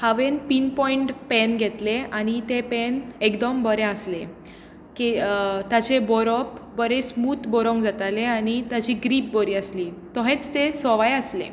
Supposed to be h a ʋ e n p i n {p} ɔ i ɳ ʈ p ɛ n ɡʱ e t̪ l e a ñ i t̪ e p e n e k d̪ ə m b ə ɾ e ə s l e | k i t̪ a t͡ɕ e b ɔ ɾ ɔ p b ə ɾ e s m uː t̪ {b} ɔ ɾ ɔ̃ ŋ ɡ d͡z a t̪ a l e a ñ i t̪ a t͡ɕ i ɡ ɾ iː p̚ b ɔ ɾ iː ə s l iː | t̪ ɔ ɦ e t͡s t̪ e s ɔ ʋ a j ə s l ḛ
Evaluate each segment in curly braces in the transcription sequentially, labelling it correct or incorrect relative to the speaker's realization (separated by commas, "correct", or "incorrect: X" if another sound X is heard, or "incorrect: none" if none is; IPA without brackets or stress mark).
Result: correct, correct